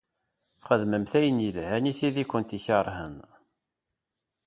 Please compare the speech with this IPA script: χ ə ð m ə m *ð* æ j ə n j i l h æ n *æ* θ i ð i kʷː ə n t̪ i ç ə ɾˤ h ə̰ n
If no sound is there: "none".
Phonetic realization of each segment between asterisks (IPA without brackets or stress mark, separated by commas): θ, i